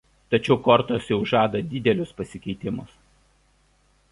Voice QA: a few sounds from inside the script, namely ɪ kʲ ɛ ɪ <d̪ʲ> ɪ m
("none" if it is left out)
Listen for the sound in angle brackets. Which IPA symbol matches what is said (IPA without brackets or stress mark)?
t̪ʲ